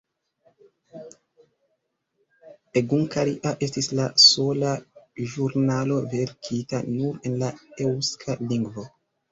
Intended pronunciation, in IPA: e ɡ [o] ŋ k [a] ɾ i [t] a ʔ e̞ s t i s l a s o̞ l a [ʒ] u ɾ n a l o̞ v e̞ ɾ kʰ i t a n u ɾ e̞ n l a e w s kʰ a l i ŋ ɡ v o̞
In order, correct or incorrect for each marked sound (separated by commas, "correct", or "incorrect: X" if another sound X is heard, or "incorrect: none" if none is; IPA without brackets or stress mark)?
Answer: incorrect: u, correct, incorrect: ʔ, correct